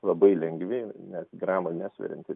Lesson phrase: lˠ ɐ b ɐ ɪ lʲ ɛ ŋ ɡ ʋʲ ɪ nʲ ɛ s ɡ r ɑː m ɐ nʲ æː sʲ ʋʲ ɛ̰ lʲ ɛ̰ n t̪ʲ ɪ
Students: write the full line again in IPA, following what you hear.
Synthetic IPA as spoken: lˠ ɐ b ɐ ɪ lʲ ɛ ŋ ɡ ʋʲ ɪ nʲ ɛ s ɡ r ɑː m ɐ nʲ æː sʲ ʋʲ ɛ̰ ɾʲ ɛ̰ n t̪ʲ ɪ